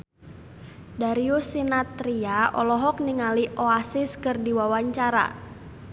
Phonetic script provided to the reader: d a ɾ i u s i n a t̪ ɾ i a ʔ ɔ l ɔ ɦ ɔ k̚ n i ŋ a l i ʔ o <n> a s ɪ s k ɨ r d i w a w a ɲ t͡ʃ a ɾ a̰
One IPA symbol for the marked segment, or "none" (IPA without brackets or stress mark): none